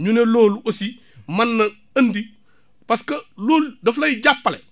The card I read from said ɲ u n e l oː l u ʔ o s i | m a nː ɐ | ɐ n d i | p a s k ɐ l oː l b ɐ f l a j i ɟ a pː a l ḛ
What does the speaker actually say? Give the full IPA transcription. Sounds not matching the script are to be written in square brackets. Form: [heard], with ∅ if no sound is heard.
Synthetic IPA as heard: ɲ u n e l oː l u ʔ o s i | m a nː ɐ | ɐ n d i | p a s k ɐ l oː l [d] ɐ f l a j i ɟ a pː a l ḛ